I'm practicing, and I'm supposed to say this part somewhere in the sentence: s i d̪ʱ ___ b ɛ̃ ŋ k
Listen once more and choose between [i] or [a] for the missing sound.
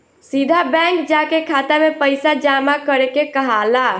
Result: a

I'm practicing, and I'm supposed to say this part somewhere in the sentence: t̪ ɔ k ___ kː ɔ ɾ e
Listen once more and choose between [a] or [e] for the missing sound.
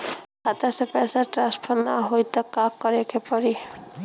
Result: a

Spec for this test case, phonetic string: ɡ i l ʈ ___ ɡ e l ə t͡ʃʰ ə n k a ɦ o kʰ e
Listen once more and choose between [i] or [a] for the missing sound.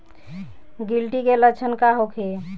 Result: i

